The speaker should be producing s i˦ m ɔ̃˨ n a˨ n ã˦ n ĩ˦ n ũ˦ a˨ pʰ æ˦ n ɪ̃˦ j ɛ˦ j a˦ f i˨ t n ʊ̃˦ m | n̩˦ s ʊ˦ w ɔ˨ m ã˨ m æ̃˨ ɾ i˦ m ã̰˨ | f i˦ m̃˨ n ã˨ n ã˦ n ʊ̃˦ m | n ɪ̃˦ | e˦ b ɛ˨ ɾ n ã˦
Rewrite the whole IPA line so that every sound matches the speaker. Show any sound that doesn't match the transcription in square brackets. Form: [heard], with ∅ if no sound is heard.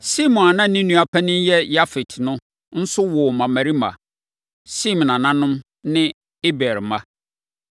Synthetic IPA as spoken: s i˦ m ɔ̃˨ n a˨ n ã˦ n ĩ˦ n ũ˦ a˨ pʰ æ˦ n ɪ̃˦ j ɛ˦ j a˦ f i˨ t n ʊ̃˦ [∅] | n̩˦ s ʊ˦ w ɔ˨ m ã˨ m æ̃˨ ɾ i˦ m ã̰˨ | [s] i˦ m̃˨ n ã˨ n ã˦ n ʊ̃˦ m | n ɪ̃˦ | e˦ b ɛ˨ ɾ [m] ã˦

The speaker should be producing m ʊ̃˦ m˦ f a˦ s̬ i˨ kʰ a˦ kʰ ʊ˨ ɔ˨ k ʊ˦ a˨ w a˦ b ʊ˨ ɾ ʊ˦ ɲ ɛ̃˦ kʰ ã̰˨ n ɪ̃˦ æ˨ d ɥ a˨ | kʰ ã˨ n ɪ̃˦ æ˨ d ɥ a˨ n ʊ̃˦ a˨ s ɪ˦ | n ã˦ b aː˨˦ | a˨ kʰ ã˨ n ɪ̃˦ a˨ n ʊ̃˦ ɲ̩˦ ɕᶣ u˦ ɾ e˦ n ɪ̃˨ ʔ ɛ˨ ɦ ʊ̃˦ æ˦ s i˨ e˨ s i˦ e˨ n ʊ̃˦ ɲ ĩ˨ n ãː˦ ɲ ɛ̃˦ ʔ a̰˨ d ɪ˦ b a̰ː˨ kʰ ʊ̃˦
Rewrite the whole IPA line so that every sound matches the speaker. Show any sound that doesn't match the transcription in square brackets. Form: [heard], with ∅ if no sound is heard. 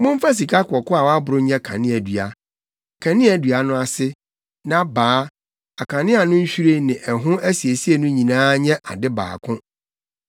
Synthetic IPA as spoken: m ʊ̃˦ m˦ f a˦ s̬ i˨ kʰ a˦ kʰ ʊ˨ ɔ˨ k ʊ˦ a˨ w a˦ b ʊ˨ ɾ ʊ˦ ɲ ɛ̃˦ kʰ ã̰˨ n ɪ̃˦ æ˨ d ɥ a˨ | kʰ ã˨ n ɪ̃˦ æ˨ d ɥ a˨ n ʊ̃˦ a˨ s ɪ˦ | n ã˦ b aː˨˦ | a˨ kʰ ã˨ n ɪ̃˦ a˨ n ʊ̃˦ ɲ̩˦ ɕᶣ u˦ ɾ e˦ n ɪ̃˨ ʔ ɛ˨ ɦ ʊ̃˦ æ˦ s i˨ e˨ s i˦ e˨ n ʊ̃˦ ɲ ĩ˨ n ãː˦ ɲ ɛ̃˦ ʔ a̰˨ d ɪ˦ b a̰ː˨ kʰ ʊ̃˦

